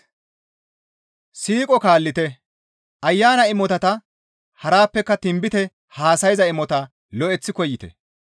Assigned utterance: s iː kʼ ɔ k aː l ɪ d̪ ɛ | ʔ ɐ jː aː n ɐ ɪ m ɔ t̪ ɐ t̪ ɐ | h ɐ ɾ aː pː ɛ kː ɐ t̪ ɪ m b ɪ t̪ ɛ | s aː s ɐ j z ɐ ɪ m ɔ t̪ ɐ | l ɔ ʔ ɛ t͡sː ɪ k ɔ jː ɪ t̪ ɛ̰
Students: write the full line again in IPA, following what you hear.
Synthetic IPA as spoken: s iː kʼ ɔ k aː lː ɪ t̪ ɛ | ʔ ɐ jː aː n ɐ ɪ m ɔ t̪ ɐ t̪ ɐ | h ɐ ɾ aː pː ɛ kː ɐ t̪ ɪ m b ɪ t̪ ɛ | h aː s ɐ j z ɐ ɪ m ɔ t̪ ɐ | l ɔ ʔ ɛ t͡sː ɪ k ɔ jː ɪ t̪ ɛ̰